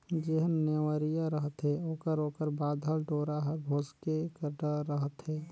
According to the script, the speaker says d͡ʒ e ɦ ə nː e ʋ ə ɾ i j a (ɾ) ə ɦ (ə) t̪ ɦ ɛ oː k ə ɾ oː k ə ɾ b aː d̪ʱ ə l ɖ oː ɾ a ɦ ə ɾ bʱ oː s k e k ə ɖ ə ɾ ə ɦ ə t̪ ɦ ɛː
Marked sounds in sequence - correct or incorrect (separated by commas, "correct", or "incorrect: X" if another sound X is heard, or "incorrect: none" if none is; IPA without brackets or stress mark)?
correct, correct